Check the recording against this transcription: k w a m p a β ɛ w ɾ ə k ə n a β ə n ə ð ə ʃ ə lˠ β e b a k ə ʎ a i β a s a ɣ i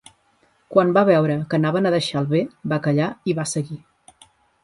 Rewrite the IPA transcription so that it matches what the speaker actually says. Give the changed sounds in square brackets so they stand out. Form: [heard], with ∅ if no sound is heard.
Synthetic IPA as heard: k w a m [b] a β ɛ w ɾ ə k ə n a β ə n ə ð ə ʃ [a] lˠ β e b a k ə ʎ a i β a s [ə] ɣ i

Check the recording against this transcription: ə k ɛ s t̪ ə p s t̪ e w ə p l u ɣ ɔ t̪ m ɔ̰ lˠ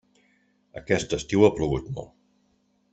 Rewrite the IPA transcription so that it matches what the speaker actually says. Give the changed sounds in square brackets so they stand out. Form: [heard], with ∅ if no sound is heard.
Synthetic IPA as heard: ə k ɛ s t̪ ə [∅] s t̪ [i] w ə p l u ɣ [u] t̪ m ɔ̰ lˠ

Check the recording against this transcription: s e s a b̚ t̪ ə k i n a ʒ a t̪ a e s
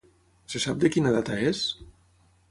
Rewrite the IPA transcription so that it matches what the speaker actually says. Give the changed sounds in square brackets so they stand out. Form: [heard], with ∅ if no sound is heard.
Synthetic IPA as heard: s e s a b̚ [d̪] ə k i n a [ð] a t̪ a e s

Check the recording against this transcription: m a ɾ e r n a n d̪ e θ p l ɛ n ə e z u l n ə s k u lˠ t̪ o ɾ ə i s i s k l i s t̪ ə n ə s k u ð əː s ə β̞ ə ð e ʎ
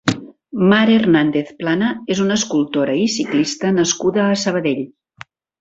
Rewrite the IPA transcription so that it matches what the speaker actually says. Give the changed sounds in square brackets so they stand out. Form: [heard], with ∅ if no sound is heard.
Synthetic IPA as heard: m a ɾ e r n a n d̪ e θ p l [a] n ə e z u [∅] n ə s k u lˠ t̪ o ɾ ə i s i [∅] k l i s t̪ ə n ə s k u ð əː s ə β̞ ə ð e ʎ

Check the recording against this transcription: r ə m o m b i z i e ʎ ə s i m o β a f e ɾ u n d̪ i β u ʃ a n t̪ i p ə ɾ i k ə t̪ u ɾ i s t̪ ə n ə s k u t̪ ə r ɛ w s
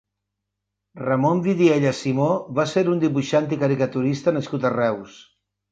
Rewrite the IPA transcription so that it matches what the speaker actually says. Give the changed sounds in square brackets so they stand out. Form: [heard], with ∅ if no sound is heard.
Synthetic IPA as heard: r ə m o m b i [ð] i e ʎ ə s i m o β a [s] e ɾ u n d̪ i β u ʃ a n t̪ i [k] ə ɾ i k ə t̪ u ɾ i s t̪ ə n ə s k u t̪ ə r ɛ w s

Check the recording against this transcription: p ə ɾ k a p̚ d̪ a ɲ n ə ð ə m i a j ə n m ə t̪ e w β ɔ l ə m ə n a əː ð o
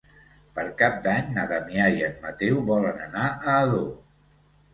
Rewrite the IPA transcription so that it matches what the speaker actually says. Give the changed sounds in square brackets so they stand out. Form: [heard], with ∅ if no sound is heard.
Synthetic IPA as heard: p ə ɾ k a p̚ d̪ a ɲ n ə ð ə m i a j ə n m ə t̪ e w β ɔ l ə [n] ə n a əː ð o

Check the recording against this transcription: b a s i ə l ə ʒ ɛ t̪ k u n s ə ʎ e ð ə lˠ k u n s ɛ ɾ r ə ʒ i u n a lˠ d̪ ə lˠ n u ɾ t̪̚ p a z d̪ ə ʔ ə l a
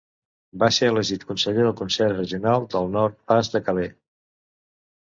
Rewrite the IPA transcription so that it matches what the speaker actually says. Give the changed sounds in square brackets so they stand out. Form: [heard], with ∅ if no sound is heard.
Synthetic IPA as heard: b a s [e] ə l ə ʒ [i] t̪ k u n s ə ʎ e ð ə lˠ k u n s ɛ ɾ r ə ʒ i u n a lˠ d̪ ə lˠ n [ɔ] ɾ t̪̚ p a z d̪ ə [k] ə l [e]

